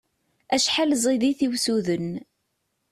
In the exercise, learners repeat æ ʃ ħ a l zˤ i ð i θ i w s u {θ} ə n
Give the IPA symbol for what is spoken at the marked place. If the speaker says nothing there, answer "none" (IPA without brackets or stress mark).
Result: ð